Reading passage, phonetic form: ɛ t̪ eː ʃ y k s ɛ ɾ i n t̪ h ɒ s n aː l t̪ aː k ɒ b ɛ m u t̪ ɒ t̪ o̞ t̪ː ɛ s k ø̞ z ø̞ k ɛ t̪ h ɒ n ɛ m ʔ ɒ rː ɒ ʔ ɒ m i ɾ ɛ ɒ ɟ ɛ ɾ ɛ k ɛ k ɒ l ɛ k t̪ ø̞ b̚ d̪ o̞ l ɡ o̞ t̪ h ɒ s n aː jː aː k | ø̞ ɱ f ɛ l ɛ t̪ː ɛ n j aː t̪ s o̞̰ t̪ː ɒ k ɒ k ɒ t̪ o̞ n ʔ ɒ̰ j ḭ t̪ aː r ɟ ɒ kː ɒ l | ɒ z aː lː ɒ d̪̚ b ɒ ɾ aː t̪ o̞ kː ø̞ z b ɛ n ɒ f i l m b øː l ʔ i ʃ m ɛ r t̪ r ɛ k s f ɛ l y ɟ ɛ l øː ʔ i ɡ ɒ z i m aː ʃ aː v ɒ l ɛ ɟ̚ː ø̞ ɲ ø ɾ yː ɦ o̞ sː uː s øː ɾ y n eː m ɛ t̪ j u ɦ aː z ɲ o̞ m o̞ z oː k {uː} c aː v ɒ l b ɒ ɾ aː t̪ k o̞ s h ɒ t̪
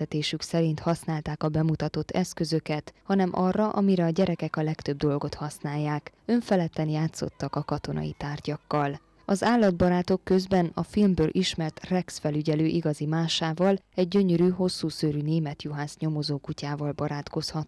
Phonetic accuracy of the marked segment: incorrect: u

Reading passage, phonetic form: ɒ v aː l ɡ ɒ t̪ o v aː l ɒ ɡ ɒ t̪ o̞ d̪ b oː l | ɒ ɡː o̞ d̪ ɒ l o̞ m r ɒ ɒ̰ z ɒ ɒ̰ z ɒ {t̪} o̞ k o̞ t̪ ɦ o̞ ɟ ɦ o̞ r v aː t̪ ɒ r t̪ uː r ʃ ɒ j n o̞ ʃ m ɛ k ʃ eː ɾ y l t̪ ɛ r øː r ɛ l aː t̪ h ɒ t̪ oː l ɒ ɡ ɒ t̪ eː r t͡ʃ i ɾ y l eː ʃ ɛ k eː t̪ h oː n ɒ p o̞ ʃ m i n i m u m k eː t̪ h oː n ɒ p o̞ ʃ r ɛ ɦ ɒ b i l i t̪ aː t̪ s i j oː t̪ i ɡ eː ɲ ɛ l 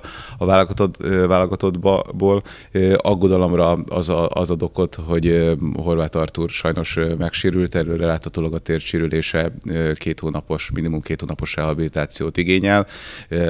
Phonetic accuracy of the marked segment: incorrect: d̪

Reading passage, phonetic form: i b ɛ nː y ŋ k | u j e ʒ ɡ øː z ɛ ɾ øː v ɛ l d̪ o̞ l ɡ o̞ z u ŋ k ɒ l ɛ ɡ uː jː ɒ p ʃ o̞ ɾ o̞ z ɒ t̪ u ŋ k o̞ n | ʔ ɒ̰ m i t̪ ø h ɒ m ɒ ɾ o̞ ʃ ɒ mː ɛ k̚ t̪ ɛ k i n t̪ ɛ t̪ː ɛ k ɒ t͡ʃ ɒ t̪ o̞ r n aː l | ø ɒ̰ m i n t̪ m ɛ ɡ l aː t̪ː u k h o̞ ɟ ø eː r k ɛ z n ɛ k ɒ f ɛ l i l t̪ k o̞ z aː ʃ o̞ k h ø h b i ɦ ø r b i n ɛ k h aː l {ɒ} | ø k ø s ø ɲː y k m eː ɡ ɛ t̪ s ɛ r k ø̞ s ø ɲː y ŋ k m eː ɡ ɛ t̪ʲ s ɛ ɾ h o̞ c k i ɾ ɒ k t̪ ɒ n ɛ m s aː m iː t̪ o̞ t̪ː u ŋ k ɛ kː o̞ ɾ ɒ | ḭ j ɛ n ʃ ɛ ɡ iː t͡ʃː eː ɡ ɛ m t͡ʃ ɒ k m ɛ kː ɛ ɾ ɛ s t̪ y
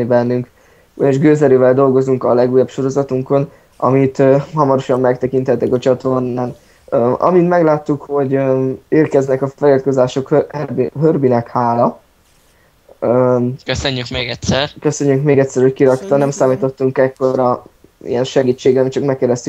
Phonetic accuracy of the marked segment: correct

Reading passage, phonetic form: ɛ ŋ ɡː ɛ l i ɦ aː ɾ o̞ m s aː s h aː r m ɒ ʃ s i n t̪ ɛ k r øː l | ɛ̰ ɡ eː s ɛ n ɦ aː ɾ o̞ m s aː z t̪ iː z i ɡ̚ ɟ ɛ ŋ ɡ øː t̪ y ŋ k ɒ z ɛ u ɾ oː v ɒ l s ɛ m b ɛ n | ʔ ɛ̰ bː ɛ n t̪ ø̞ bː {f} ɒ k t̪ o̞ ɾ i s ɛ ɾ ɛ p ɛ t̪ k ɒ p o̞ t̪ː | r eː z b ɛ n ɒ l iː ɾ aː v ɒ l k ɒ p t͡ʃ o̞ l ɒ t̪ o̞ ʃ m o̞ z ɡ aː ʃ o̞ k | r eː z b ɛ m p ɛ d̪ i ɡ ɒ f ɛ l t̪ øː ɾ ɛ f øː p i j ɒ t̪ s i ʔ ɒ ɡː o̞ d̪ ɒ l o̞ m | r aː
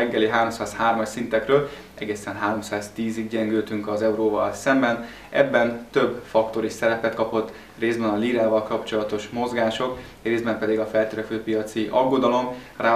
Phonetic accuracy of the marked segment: correct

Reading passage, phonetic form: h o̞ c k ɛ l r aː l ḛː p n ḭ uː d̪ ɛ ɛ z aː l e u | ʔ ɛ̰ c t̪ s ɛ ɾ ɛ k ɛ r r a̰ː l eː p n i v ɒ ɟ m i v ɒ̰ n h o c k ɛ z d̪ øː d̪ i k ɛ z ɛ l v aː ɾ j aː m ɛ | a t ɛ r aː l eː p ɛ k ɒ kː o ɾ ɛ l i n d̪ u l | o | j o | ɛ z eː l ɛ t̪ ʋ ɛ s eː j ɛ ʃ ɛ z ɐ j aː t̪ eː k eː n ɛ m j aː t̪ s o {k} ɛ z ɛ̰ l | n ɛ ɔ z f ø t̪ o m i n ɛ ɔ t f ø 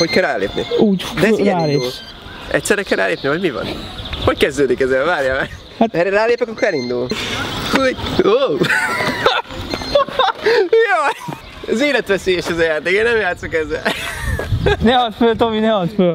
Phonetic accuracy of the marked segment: correct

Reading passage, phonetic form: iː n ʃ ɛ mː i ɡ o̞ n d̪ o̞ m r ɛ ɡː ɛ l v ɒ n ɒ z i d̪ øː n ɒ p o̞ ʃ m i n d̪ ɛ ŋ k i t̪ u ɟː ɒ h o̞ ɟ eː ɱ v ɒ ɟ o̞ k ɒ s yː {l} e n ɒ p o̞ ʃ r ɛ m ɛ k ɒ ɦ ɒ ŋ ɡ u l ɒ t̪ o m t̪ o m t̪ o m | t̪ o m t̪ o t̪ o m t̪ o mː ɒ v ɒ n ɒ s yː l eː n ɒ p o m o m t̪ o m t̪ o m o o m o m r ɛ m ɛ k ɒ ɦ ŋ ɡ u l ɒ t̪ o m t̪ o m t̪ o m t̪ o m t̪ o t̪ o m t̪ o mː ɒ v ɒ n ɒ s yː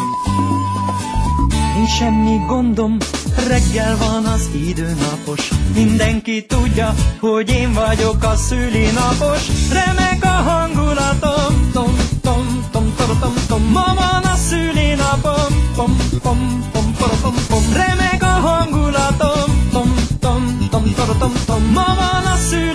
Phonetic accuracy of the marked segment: correct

